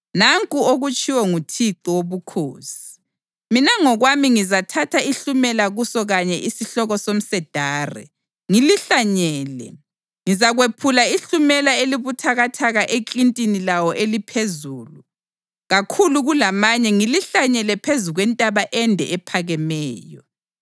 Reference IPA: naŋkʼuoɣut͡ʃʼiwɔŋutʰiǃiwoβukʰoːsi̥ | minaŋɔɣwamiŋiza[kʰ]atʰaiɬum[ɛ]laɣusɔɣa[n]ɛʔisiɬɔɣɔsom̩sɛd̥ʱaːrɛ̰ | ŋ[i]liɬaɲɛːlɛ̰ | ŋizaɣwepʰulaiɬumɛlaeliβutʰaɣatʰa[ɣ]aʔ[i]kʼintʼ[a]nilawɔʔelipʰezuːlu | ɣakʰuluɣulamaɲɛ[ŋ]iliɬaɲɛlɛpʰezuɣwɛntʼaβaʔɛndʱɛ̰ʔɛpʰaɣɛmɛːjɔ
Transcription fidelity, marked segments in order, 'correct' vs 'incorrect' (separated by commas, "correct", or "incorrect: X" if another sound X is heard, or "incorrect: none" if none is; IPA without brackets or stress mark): incorrect: tʰ, correct, incorrect: ɲ, correct, correct, incorrect: e, incorrect: i, correct